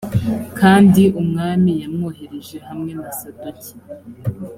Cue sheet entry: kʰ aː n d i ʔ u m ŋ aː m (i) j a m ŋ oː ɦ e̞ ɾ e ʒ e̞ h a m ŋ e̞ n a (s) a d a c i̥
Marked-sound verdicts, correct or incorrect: correct, correct

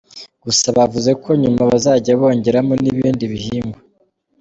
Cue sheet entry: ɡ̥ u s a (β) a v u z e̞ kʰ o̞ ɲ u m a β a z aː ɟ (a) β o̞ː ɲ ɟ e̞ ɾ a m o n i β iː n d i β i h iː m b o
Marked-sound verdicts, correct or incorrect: correct, correct

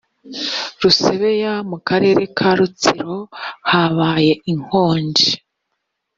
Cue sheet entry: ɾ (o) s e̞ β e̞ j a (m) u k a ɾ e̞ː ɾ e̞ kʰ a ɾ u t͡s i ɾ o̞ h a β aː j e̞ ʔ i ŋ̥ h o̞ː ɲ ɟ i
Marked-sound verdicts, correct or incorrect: incorrect: u, correct

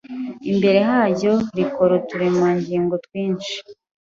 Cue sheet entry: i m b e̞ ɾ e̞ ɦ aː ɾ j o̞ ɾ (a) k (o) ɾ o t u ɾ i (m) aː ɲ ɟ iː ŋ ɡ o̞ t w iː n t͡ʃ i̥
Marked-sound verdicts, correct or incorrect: incorrect: i, correct, correct

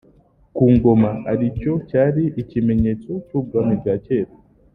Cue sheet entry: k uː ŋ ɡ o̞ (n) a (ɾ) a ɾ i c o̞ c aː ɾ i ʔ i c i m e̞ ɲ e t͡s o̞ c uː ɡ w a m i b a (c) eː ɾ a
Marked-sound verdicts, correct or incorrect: incorrect: m, incorrect: none, correct

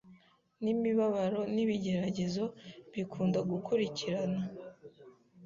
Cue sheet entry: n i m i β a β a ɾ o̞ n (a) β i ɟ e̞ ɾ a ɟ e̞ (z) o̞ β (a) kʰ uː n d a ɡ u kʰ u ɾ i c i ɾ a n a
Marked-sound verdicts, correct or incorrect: incorrect: i, correct, incorrect: i

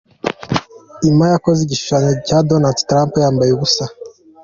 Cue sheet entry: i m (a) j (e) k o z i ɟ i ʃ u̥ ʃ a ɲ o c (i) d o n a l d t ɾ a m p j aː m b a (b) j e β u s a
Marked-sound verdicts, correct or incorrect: correct, incorrect: a, incorrect: a, incorrect: none

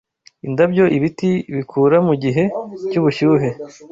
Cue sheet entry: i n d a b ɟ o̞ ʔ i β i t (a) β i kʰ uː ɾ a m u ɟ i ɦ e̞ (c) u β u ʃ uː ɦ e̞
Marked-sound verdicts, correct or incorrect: incorrect: i, correct

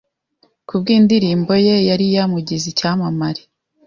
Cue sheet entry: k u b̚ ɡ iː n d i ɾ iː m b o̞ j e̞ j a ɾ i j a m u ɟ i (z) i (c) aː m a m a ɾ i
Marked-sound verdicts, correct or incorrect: correct, correct

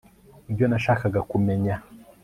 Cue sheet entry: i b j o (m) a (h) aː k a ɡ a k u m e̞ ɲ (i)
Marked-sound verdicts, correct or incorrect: incorrect: n, incorrect: ʃ, incorrect: a

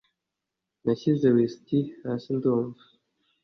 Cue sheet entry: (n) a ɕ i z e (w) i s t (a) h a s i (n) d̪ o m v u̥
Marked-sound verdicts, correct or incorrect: correct, correct, incorrect: i, correct

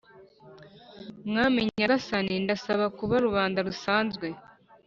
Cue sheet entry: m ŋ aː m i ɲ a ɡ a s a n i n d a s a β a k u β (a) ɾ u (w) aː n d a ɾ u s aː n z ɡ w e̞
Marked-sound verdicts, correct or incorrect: correct, incorrect: β

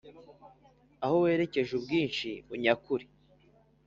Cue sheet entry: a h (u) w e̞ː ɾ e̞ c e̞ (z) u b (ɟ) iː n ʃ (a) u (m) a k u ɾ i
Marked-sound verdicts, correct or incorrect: incorrect: o, incorrect: ʒ, incorrect: ɡ, incorrect: i, incorrect: ɲ

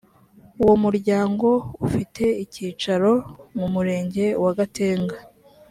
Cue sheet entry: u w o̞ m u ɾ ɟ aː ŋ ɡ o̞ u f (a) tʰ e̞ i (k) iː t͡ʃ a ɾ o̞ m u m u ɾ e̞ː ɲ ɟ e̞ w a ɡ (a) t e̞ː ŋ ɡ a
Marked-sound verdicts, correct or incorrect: incorrect: i, incorrect: c, correct

